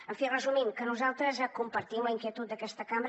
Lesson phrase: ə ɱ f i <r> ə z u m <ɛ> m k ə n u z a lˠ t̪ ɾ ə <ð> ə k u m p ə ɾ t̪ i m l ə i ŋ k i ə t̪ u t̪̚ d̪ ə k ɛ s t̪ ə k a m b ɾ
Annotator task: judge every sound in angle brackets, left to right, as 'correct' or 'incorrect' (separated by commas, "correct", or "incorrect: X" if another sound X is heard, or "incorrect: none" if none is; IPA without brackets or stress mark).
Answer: correct, incorrect: i, incorrect: z